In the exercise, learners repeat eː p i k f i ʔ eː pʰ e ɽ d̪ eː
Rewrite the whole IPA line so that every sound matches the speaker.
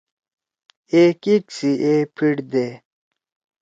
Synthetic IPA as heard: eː k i k s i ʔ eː pʰ i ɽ d̪ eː